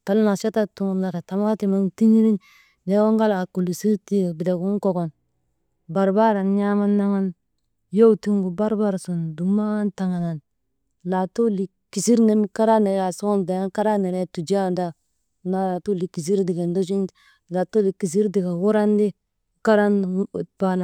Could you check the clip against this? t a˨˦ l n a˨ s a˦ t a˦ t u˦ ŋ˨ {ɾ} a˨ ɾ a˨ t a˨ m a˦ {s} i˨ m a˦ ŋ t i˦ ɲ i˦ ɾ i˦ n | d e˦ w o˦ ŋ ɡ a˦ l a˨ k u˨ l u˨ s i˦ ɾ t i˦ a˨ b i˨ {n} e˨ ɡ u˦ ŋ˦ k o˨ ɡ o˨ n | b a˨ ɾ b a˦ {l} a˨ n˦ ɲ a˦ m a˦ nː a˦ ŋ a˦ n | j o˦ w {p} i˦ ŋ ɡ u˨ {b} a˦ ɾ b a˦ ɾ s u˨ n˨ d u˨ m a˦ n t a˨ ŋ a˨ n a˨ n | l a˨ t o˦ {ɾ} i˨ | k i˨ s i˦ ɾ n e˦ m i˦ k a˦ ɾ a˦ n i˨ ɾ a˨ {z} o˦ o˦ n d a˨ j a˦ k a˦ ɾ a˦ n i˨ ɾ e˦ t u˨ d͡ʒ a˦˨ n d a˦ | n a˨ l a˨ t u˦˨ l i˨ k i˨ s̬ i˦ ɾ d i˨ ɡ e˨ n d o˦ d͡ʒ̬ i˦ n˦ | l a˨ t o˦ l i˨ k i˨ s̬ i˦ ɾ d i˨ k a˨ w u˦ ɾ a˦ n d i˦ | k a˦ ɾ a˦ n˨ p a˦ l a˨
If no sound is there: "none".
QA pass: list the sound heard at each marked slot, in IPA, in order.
l, t, d, ɾ, t, b, l, s

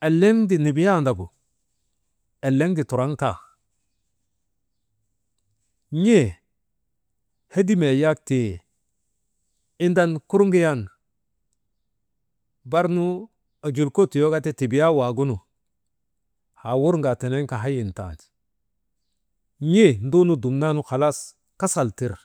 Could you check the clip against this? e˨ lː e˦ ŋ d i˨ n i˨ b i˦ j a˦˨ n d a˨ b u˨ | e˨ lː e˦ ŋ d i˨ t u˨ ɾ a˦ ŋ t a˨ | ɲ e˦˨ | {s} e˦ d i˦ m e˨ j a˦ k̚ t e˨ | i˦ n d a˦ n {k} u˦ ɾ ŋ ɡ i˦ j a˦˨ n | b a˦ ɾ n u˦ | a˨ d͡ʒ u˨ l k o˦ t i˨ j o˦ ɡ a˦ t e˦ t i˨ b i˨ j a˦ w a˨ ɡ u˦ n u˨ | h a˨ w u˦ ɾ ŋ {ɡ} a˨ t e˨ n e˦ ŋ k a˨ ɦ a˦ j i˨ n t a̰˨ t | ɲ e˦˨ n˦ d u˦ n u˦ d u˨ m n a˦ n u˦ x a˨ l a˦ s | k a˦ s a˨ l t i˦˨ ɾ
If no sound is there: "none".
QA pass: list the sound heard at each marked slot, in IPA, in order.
h, k, ɡ

